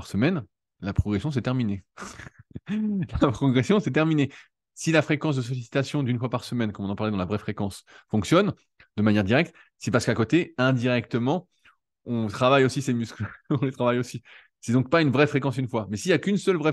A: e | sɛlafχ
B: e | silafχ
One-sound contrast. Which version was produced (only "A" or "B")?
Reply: B